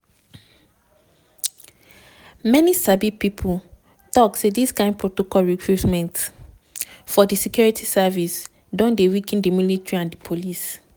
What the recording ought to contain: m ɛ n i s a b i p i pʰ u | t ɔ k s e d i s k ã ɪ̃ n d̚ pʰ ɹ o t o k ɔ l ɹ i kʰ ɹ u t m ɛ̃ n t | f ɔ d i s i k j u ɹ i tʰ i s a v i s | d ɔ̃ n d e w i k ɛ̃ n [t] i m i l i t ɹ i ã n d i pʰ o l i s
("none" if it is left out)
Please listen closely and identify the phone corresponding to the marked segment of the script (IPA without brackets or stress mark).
d